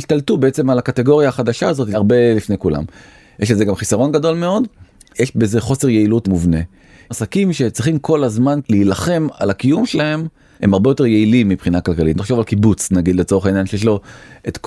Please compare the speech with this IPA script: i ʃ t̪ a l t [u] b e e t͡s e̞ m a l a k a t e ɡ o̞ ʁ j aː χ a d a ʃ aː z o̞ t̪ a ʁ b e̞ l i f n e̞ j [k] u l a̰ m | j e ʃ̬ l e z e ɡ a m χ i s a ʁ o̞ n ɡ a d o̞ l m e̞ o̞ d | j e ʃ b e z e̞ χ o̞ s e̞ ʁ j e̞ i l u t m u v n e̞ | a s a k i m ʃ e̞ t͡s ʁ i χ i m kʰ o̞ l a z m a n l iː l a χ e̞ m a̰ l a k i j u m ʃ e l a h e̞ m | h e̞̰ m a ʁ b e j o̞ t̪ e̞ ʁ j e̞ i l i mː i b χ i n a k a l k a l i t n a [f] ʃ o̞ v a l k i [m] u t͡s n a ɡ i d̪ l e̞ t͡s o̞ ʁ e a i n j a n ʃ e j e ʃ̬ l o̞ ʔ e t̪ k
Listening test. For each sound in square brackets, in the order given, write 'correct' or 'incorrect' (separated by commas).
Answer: correct, correct, incorrect, incorrect